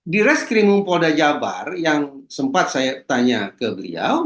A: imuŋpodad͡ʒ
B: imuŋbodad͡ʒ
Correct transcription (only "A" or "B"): A